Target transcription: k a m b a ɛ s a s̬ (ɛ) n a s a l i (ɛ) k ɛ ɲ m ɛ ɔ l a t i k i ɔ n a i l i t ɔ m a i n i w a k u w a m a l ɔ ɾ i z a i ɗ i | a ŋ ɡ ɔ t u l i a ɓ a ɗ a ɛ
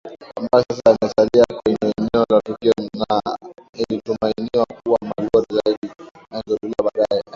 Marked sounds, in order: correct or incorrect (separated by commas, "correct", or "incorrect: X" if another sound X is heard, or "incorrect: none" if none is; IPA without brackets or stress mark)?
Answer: incorrect: a, incorrect: a